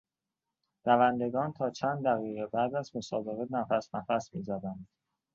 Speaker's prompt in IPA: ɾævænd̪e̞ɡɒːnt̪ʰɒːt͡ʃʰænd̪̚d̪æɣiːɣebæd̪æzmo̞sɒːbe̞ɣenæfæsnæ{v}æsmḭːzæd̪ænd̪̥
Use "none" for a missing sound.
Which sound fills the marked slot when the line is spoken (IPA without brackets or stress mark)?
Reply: f